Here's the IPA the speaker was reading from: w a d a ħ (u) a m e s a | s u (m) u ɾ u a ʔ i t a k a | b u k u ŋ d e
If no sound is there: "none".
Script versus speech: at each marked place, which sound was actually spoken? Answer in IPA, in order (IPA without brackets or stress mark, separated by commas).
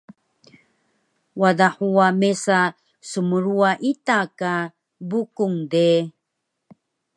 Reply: u, m